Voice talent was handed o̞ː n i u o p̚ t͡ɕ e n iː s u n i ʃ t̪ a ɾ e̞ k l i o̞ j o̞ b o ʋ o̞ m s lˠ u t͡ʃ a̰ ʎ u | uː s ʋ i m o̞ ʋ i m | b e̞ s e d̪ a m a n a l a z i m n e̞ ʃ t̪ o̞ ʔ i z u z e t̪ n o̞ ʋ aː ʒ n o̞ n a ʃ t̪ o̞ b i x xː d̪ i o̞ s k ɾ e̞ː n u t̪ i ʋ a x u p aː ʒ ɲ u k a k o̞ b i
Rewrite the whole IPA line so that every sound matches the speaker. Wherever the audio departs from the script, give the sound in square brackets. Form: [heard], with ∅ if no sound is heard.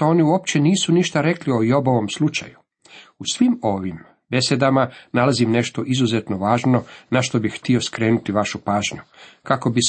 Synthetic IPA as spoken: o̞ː n i u o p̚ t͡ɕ e n iː s u n i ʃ t̪ a ɾ e̞ k l i o̞ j o̞ b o ʋ o̞ m s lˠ u t͡ʃ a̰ [j] u | [u] s ʋ i m o̞ ʋ i m | b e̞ s e d̪ a m a n a l a z i m n e̞ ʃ t̪ o̞ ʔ i z u z e t̪ n o̞ ʋ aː ʒ n o̞ n a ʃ t̪ o̞ b i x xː [t̪] i o̞ s k ɾ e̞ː n u t̪ i ʋ a [ʃ] u p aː ʒ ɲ u k a k o̞ b i